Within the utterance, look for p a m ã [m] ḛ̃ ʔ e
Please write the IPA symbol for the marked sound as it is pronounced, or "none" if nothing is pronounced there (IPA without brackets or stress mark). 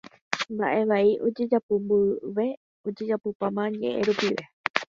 ɲ